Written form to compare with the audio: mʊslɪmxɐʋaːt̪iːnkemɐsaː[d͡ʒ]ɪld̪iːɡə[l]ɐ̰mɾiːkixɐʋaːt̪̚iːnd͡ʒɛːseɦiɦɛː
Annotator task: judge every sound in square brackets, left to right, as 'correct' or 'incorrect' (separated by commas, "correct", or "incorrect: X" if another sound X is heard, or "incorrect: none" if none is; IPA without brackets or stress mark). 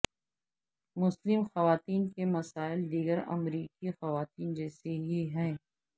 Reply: incorrect: none, incorrect: ɾ